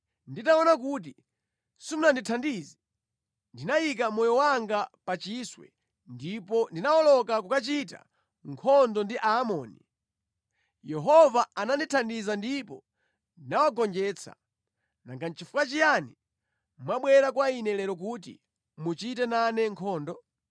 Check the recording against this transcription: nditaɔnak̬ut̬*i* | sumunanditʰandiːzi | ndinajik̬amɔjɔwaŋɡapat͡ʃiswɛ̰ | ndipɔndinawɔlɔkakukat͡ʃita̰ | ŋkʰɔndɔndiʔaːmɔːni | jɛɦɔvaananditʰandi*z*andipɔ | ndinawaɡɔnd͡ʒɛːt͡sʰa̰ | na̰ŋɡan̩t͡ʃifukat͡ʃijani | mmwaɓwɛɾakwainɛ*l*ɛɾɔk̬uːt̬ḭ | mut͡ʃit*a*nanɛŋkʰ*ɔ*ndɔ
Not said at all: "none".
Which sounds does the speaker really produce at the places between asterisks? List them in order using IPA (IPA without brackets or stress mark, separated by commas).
i, z, l, ɛ, ɔː